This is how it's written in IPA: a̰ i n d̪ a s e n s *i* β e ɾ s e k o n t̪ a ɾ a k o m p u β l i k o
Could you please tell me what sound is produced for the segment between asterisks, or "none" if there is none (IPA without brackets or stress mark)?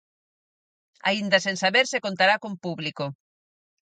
a